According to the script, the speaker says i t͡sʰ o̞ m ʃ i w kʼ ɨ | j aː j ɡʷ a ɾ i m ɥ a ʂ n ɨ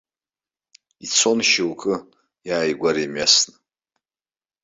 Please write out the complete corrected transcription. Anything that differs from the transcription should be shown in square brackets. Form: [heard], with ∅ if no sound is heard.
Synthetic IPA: i t͡sʰ o̞ [n] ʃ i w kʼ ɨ | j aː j ɡʷ a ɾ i m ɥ a [s] n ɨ

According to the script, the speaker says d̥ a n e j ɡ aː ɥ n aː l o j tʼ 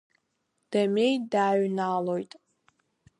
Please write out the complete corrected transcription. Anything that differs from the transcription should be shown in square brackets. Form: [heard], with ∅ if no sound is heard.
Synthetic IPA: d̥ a [m] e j [d] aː ɥ n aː l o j tʼ

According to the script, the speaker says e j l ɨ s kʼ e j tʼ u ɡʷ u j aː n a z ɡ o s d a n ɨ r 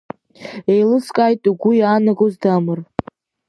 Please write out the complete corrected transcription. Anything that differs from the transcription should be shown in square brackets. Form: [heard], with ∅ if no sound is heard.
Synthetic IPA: e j l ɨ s kʼ [a] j tʼ u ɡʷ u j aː n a [∅] ɡ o [z] d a [m] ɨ r

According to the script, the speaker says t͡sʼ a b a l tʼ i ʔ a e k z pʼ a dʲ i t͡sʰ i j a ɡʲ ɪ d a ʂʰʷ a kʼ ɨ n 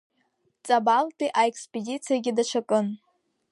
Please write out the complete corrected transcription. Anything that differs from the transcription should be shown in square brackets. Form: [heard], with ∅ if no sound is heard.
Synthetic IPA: t͡sʼ a b a l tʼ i ʔ a e k [s] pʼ [e] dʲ i t͡sʰ i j a ɡʲ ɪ d a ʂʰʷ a kʼ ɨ n

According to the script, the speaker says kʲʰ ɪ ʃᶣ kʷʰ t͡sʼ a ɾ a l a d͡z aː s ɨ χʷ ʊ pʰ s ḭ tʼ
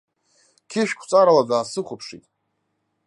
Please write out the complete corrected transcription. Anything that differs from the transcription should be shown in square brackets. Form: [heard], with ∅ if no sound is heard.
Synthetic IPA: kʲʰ ɪ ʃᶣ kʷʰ t͡sʼ a ɾ a l a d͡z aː s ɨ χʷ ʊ pʰ [ʂ] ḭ tʼ

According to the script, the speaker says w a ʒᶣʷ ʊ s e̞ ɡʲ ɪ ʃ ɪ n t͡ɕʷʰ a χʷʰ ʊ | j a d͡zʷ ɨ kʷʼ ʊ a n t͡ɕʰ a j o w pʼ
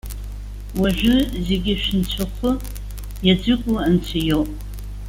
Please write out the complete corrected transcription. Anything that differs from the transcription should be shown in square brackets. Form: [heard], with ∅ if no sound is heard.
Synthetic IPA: w a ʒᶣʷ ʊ [z] e̞ ɡʲ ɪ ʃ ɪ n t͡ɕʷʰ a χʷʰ ʊ | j a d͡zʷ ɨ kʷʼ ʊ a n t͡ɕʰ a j o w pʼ

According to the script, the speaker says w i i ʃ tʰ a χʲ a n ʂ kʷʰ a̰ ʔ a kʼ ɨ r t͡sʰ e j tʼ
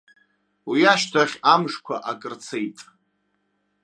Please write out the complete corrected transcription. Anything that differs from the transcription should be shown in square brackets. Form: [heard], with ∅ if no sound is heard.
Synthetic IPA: w i [a] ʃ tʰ a χʲ a [m] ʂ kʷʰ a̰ ʔ a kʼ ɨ r t͡sʰ e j tʼ

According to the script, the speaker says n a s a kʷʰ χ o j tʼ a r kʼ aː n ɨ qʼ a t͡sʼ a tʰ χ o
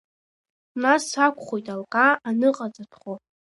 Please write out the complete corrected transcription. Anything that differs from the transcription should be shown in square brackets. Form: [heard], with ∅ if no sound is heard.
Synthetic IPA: n a s a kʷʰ χ o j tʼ a [l] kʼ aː n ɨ qʼ a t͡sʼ a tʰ χ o

